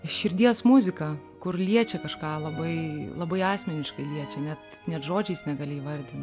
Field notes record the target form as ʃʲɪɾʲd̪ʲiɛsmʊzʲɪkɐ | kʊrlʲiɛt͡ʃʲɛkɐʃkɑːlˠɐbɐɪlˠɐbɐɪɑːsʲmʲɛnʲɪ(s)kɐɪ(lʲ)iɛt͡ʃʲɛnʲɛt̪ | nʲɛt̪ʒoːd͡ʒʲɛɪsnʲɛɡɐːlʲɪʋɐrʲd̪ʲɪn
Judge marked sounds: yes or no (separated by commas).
no, yes